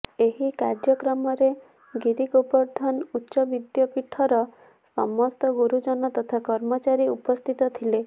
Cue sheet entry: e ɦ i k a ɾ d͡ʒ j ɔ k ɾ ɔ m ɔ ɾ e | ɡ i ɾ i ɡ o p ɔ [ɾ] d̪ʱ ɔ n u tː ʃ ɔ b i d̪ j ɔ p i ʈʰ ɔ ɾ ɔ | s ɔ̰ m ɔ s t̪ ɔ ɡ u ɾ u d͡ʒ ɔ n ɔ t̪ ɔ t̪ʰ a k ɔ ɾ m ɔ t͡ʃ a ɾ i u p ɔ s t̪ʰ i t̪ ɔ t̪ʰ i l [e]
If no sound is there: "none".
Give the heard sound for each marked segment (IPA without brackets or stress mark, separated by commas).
ɾ, e